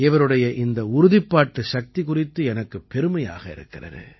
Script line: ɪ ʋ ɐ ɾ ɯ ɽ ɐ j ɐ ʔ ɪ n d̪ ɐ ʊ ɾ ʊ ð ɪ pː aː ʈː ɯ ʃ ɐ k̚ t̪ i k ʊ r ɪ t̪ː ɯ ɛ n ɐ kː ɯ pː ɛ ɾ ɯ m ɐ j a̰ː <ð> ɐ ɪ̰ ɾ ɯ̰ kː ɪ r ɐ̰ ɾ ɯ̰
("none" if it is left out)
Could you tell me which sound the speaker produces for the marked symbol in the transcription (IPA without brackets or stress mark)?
ɣ